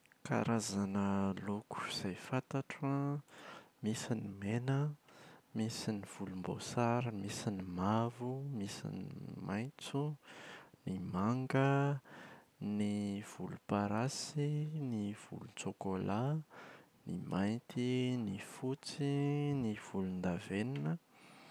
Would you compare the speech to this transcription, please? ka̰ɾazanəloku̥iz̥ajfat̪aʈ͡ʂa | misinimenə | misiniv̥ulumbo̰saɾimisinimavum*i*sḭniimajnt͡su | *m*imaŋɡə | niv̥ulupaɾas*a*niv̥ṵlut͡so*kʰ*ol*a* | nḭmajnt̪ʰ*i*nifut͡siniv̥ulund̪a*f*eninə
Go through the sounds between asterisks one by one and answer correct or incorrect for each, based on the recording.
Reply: correct, incorrect: n, incorrect: i, incorrect: k, correct, correct, incorrect: v

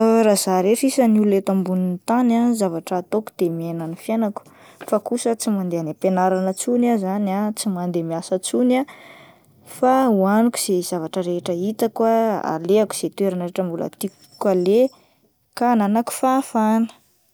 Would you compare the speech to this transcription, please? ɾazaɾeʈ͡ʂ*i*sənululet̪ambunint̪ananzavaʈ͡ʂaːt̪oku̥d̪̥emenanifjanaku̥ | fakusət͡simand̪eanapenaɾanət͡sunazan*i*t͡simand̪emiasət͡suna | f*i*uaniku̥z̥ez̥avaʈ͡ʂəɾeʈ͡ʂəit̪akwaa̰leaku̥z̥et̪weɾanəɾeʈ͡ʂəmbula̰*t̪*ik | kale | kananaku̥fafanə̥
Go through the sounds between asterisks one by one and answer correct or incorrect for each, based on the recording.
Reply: correct, incorrect: a, incorrect: a, correct

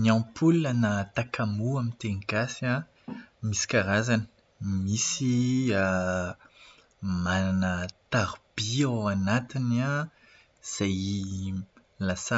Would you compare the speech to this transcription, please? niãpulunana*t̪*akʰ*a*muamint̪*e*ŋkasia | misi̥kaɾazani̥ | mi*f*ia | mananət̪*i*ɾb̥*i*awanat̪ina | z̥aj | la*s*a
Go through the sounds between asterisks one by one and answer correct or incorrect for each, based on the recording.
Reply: correct, correct, correct, incorrect: s, incorrect: a, correct, correct

